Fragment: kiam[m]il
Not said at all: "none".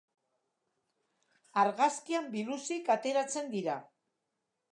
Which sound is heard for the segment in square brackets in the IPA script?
b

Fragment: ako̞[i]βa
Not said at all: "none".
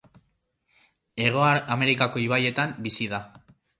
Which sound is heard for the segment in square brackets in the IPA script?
i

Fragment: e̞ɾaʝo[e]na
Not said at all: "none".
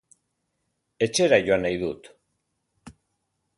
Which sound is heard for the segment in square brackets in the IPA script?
a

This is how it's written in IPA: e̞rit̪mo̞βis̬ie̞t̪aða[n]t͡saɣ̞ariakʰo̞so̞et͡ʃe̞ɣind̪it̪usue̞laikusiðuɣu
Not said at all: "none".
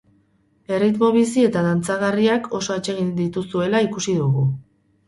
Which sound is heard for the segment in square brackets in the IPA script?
n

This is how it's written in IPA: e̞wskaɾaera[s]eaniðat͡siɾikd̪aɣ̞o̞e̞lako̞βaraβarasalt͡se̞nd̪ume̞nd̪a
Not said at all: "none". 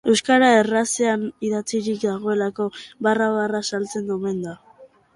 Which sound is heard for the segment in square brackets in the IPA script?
s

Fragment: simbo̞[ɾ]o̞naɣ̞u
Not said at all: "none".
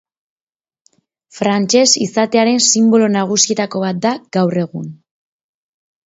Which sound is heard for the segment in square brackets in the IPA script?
l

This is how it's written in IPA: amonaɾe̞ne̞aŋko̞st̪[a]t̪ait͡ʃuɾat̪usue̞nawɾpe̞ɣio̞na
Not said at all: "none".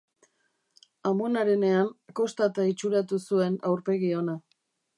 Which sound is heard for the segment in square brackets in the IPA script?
a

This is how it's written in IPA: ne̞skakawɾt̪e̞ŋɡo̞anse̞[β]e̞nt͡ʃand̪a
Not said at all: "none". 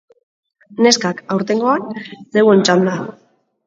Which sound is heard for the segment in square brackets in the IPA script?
w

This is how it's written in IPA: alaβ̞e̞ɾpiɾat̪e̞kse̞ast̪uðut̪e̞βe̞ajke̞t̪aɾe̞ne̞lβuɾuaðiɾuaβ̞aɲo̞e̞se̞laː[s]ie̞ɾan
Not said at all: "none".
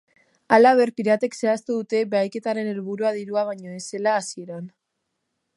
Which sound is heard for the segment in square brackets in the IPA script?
s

